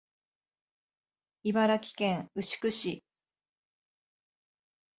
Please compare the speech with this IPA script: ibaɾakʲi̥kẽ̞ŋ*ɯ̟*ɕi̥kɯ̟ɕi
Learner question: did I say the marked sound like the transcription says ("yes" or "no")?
yes